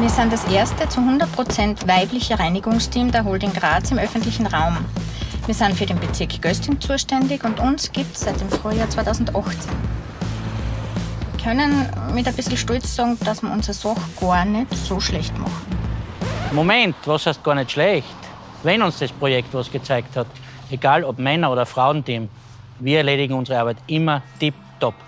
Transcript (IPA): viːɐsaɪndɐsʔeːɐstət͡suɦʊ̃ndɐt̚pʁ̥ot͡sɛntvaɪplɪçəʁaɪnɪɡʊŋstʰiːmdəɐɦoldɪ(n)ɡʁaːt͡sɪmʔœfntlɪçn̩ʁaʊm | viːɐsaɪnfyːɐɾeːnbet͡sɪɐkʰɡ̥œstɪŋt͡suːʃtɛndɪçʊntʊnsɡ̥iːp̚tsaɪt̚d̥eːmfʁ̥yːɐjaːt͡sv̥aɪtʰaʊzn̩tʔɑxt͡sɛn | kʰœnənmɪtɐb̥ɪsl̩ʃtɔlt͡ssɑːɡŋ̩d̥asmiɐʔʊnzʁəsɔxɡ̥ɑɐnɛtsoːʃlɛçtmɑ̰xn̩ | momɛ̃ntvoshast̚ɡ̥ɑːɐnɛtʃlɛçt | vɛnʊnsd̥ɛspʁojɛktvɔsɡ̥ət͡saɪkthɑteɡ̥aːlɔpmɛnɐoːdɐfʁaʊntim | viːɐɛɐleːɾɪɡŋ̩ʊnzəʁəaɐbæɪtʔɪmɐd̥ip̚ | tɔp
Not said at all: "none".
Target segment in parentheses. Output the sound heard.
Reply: ŋ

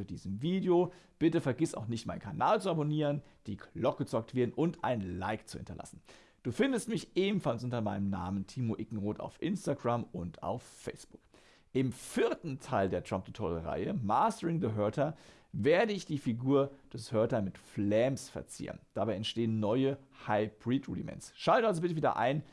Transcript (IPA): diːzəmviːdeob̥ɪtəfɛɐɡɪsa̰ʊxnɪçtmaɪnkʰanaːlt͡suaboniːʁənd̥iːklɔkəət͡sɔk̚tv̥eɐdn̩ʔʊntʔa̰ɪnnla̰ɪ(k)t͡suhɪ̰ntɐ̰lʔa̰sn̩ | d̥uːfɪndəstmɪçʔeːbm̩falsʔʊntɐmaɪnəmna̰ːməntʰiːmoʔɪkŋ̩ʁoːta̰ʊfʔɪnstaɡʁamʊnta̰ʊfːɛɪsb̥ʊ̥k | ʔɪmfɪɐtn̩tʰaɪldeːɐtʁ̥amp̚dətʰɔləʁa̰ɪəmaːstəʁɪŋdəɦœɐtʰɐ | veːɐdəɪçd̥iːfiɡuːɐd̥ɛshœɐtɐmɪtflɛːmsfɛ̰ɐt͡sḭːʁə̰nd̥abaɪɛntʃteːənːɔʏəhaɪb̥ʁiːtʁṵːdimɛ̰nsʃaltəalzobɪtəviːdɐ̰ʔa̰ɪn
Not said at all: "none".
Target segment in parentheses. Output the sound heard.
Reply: k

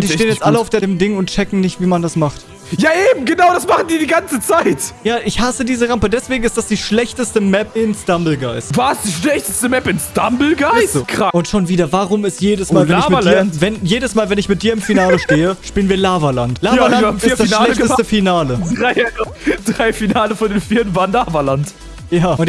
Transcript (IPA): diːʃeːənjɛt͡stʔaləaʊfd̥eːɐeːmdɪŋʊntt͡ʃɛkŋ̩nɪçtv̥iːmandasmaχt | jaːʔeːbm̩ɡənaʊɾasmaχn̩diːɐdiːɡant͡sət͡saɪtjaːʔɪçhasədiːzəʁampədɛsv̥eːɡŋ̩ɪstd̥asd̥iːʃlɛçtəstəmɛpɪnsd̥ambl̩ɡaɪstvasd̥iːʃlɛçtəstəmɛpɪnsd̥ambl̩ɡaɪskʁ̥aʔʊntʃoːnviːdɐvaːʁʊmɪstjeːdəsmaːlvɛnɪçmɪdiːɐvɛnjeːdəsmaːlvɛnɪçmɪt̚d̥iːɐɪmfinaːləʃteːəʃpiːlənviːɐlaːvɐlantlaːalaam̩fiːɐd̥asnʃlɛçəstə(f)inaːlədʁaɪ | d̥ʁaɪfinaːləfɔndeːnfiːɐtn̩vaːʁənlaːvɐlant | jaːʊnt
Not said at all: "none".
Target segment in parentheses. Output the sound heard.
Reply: f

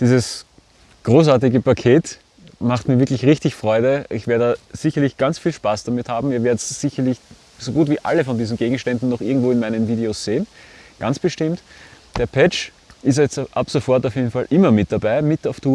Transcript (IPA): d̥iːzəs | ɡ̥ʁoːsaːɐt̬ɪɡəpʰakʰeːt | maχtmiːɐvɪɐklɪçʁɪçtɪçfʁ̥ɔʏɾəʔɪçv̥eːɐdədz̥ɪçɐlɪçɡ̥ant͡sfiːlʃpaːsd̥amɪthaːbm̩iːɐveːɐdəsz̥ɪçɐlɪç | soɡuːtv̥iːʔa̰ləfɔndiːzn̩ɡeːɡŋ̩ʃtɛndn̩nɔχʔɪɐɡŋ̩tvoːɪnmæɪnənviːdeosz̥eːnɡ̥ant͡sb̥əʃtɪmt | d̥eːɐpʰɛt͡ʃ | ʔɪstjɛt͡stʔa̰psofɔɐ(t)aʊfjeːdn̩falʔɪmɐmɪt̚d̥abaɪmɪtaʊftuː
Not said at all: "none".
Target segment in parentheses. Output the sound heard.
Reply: t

